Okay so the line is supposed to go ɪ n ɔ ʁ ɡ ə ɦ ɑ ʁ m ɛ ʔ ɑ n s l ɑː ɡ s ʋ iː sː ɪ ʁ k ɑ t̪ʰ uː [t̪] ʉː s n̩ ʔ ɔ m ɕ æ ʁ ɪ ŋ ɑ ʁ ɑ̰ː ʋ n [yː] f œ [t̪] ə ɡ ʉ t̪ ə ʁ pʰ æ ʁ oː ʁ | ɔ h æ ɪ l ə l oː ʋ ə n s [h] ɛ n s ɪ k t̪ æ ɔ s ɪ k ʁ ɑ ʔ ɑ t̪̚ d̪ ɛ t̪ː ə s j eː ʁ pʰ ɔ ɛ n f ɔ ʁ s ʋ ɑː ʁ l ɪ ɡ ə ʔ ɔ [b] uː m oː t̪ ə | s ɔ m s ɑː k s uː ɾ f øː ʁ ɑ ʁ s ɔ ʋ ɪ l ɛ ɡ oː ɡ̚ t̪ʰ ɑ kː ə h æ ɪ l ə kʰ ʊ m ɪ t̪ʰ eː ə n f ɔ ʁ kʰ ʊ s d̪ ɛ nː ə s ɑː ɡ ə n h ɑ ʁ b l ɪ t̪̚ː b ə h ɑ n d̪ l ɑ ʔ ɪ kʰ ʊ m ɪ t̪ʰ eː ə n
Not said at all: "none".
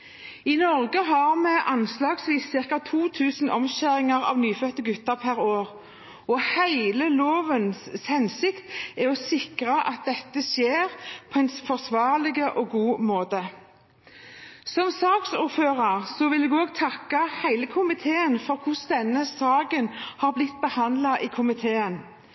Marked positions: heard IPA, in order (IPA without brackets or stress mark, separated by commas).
t̪ʰ, yː, t̪, h, ɡ